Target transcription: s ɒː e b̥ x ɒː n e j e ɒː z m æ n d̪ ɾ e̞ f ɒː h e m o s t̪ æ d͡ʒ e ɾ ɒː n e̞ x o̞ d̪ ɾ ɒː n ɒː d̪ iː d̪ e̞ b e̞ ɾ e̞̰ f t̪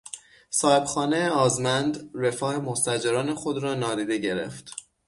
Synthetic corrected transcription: s ɒː e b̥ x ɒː n e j e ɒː z m æ n d̪ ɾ e̞ f ɒː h e m o s t̪ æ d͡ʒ e ɾ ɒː n e̞ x o̞ d̪ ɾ ɒː n ɒː d̪ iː d̪ e̞ ɟ e̞ ɾ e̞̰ f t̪